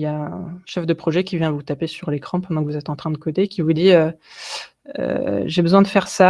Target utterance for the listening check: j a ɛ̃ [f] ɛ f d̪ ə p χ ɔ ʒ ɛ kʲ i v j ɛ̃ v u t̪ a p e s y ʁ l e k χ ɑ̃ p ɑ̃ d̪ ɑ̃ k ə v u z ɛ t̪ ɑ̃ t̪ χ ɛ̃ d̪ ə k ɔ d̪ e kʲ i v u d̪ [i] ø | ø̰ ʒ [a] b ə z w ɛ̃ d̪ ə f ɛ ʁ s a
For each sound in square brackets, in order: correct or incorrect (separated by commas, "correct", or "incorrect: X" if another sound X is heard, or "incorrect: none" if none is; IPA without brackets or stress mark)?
incorrect: ʃ, correct, incorrect: e